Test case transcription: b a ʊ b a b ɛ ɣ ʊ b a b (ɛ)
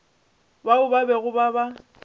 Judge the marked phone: incorrect: a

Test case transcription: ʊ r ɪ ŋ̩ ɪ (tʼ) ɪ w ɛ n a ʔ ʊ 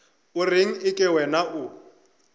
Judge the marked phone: incorrect: kʼ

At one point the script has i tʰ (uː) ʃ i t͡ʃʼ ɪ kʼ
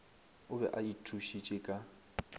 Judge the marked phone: incorrect: u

